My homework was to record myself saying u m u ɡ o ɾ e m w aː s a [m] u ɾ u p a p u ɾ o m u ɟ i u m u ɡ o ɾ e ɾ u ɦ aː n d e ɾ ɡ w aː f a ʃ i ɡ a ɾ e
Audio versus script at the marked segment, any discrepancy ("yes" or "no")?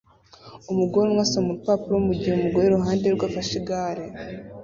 no